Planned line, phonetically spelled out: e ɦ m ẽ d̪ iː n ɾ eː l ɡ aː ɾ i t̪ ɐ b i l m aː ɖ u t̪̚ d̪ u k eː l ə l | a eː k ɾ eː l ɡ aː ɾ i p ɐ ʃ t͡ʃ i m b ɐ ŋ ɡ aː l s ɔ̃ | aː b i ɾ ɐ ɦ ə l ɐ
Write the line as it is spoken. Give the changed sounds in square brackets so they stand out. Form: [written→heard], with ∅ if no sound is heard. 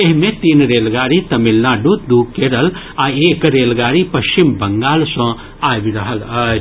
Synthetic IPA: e ɦ m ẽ [d̪→t̪] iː n ɾ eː l ɡ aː ɾ i t̪ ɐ [b→m] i l [m→n] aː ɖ u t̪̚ d̪ u k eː [l→ɾ] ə l | a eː k ɾ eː l ɡ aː ɾ i p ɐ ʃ t͡ʃ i m b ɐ ŋ ɡ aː l s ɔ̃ | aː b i ɾ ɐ ɦ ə l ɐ

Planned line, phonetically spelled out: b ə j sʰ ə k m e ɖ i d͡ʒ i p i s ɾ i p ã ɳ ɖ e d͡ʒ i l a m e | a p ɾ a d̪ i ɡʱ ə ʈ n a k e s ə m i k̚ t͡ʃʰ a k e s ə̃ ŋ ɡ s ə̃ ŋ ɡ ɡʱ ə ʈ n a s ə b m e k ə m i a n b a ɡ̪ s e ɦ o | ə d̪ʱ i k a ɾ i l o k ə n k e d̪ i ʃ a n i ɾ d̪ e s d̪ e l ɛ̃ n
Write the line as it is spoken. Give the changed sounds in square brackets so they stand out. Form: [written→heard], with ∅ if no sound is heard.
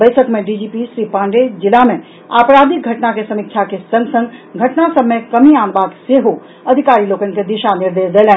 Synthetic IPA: b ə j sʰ ə k m e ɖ i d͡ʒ i p i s ɾ i p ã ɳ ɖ e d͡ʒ i l a m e | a p ɾ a d̪ i ɡʱ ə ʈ n a k e s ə m i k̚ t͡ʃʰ a k e s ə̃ ŋ ɡ s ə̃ ŋ ɡ ɡʱ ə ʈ n a s ə b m e k ə m i a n b a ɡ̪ s e ɦ o | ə d̪ʱ i k a ɾ i l o k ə n k e d̪ i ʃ a n i ɾ d̪ e s d̪ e l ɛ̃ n

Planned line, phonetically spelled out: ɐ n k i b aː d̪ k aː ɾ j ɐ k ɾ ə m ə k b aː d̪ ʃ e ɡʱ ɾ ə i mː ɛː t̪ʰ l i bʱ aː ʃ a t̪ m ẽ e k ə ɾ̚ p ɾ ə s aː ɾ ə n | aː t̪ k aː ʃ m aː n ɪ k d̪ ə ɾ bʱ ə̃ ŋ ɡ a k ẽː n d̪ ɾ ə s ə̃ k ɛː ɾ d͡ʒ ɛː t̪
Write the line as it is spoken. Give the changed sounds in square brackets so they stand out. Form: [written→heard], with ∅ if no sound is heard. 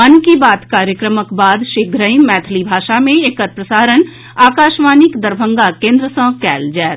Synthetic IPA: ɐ n k i b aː [d̪→t̪] k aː ɾ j [ɐ→ə] k ɾ ə m ə k b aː d̪ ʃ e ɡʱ ɾ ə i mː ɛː t̪ʰ l i bʱ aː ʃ a [t̪→∅] m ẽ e k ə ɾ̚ p ɾ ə s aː ɾ ə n | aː [t̪→∅] k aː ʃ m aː n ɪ k d̪ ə ɾ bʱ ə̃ ŋ ɡ a k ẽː n d̪ ɾ ə s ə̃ k ɛː [ɾ→l] d͡ʒ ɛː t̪

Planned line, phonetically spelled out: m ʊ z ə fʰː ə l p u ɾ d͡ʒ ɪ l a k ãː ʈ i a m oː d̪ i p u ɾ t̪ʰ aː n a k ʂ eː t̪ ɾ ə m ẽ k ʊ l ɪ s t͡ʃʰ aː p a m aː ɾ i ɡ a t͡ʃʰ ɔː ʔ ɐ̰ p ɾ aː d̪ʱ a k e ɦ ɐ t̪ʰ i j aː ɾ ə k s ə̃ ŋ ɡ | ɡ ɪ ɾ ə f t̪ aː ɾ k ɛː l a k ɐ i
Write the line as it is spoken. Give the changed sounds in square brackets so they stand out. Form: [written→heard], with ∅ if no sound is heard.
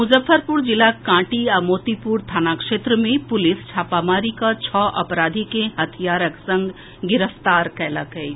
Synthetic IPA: m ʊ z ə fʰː ə [l→ɾ] p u ɾ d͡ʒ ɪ l a k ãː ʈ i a m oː [d̪→t̪] i p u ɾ t̪ʰ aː n a k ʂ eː t̪ ɾ ə m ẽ [k→p] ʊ l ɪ s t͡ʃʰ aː p a m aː ɾ i [ɡ→k] a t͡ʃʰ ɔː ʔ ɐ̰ p ɾ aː d̪ʱ [a→i] k e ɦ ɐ t̪ʰ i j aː ɾ ə k s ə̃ ŋ ɡ | ɡ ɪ ɾ ə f t̪ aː ɾ k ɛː l a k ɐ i

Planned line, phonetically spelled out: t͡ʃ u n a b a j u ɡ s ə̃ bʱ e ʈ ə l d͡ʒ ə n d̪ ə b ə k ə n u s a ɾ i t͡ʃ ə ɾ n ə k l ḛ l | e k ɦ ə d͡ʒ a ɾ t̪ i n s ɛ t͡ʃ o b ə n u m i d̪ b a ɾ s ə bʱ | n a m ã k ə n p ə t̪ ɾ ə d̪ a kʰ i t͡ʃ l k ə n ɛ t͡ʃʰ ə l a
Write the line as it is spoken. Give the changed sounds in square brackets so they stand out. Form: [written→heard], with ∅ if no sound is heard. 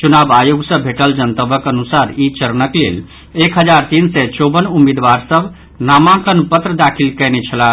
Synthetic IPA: t͡ʃ u n a b a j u ɡ s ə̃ bʱ e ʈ ə l d͡ʒ ə n [d̪→t̪] ə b ə k ə n u s a ɾ i t͡ʃ ə ɾ n ə k l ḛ l | e k ɦ ə d͡ʒ a ɾ t̪ i n s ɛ t͡ʃ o b ə n u m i d̪ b a ɾ s ə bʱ | n a m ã k ə n p ə t̪ ɾ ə d̪ a kʰ i [t͡ʃ→∅] l k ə n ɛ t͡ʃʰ ə l a

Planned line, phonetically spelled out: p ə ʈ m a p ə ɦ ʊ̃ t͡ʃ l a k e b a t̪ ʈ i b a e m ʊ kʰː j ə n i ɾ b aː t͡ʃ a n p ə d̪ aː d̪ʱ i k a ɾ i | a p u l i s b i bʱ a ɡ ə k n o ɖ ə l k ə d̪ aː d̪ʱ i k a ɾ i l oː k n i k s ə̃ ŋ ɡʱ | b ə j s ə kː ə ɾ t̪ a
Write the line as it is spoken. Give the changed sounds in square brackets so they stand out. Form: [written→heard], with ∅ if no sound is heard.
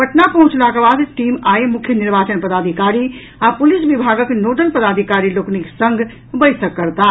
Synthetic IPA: p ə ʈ [m→n] a p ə ɦ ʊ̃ t͡ʃ l a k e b a [t̪→d̪] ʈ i [b→m] a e m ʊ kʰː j ə n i ɾ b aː t͡ʃ [a→ə] n p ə d̪ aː d̪ʱ i k a ɾ i | a p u l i s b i bʱ a ɡ ə k n o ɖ ə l [k→p] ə d̪ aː d̪ʱ i k a ɾ i l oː k n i k s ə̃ ŋ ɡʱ | b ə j s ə kː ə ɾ t̪ a

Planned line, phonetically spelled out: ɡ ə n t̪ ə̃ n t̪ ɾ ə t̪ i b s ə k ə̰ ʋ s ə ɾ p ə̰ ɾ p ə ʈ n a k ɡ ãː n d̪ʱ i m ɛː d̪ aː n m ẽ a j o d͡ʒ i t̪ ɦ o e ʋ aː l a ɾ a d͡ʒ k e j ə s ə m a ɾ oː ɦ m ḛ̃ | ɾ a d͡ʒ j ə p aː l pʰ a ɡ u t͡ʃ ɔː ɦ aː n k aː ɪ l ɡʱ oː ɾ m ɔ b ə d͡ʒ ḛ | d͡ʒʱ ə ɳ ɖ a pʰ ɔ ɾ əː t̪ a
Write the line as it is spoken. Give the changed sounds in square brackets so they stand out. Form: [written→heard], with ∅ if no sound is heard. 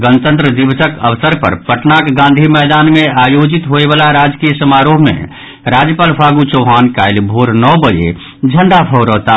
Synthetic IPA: ɡ ə n t̪ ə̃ n t̪ ɾ ə [t̪→d̪] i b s ə k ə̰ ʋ s ə ɾ p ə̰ ɾ p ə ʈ n a k ɡ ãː n d̪ʱ i m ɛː d̪ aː n m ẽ a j o d͡ʒ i t̪ ɦ o e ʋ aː l a ɾ a d͡ʒ k [e→i] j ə s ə m a ɾ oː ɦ m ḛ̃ | ɾ a d͡ʒ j ə p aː l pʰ a ɡ u t͡ʃ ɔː ɦ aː n k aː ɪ l [ɡʱ→bʱ] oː ɾ [m→n] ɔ b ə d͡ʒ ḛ | d͡ʒʱ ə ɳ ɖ a pʰ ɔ ɾ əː t̪ a

